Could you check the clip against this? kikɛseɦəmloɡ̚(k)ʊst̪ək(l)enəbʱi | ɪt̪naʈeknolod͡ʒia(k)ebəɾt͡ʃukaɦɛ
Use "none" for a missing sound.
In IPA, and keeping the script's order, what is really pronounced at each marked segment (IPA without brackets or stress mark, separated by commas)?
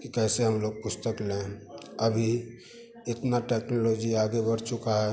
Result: p, l, ɡ